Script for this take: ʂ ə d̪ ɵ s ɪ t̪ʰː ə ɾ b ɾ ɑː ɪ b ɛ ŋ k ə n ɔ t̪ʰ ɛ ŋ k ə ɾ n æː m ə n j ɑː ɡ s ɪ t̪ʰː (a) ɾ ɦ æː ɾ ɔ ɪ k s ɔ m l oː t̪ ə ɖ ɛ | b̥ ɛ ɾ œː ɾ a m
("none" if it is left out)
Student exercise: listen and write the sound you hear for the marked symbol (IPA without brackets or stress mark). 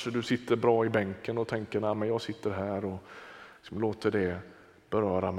ə